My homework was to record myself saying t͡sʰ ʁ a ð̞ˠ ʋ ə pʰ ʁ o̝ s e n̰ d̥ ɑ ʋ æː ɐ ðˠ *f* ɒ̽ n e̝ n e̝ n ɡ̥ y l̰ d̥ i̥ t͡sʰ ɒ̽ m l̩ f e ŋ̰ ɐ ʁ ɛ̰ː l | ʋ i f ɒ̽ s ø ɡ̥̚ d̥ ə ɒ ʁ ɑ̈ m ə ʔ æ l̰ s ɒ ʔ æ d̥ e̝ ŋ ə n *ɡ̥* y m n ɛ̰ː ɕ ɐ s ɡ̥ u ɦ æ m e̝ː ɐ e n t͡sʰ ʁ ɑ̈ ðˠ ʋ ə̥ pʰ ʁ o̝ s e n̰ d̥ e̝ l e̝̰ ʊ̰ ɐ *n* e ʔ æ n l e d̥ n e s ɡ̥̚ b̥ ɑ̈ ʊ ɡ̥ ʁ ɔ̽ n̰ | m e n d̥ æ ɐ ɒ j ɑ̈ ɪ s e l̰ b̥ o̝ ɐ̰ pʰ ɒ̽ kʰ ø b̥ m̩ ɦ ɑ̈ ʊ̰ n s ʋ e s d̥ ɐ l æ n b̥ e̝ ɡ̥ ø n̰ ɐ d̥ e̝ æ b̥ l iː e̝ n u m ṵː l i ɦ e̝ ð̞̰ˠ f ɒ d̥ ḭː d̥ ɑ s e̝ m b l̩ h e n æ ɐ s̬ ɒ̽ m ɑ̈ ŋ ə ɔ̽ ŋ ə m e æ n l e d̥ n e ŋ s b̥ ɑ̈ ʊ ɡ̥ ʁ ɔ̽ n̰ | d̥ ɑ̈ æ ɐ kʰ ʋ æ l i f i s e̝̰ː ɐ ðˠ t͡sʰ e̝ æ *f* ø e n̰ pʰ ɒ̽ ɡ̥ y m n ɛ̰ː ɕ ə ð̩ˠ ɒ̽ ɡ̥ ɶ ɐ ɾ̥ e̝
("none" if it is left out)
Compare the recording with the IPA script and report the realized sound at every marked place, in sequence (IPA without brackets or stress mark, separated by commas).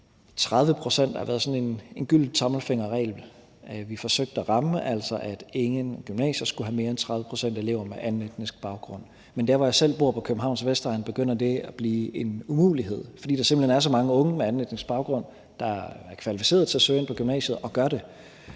s, ɡ̥, m, s